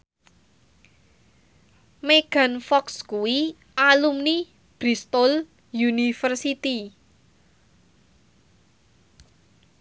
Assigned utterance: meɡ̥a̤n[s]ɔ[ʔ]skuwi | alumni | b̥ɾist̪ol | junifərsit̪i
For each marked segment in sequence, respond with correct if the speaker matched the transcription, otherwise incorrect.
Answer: incorrect: f, incorrect: k

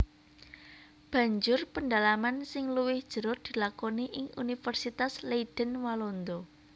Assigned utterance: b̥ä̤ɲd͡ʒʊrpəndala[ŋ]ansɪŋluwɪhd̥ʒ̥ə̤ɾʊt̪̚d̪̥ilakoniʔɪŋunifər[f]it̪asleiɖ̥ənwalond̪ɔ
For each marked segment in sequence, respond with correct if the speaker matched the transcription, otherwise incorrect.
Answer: incorrect: m, incorrect: s

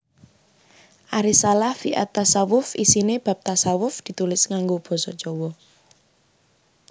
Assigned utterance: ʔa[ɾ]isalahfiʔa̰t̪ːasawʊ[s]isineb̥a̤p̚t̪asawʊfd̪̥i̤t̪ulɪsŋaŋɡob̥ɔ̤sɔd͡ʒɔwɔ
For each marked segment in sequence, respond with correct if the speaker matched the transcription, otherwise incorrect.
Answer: correct, incorrect: f

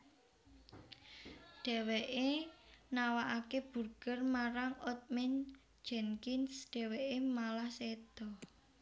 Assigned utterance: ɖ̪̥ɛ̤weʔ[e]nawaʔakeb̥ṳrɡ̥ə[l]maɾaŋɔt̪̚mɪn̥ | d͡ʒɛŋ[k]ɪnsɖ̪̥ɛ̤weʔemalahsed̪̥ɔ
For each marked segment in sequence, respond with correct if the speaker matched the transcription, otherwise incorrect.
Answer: correct, incorrect: r, correct

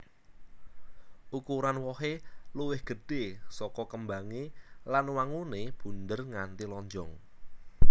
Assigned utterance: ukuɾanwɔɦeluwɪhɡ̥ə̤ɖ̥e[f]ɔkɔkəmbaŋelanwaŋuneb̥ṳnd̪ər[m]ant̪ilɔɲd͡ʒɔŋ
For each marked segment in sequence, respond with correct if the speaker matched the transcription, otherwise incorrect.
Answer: incorrect: s, incorrect: ŋ

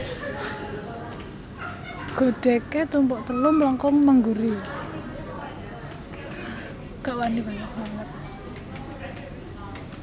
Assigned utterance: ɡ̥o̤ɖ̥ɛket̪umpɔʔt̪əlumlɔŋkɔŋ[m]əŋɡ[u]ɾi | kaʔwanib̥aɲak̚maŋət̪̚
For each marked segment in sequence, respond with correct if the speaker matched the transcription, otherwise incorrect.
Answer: correct, correct

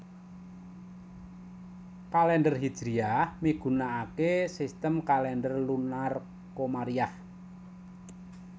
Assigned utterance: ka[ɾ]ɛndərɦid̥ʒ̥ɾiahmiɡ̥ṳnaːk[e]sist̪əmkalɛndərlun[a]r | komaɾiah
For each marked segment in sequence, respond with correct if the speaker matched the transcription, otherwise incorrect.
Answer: incorrect: l, correct, correct

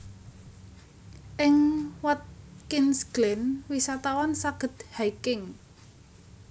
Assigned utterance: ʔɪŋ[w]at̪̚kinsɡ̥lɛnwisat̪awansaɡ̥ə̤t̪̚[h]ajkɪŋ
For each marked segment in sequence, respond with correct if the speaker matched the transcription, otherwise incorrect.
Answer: correct, correct

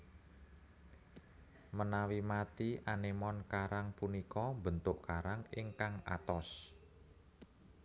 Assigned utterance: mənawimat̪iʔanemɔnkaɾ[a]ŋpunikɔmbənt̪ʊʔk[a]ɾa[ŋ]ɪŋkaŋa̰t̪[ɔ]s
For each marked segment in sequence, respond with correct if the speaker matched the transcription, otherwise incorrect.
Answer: correct, correct, correct, correct

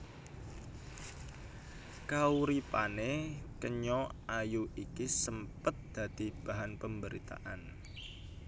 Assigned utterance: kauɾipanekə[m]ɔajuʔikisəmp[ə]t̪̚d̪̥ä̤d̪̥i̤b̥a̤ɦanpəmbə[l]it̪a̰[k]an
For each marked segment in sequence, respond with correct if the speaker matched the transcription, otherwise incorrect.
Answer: incorrect: ɲ, correct, incorrect: ɾ, incorrect: ʔ

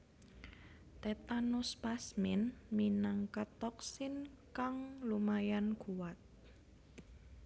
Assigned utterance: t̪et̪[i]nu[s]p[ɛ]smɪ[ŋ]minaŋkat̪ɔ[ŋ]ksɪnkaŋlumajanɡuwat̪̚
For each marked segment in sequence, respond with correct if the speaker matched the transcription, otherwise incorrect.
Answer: incorrect: a, correct, incorrect: a, incorrect: n, incorrect: none

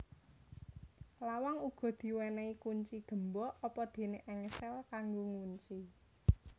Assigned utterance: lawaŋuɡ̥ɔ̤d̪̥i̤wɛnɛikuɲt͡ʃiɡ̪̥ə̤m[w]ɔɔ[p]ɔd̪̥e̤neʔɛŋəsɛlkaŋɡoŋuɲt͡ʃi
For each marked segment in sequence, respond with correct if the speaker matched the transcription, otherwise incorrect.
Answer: incorrect: b, correct

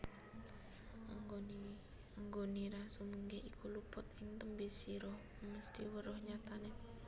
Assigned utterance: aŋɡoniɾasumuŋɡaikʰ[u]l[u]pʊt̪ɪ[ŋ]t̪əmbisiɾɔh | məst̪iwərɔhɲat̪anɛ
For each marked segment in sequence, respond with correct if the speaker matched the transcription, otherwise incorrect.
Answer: correct, correct, correct

